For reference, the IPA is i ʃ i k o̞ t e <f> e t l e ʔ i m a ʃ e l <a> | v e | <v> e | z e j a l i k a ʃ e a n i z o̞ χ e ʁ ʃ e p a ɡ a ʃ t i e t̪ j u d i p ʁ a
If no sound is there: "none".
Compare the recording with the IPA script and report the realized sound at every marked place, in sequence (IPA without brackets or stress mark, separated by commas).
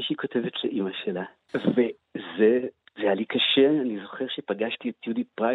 v, a, z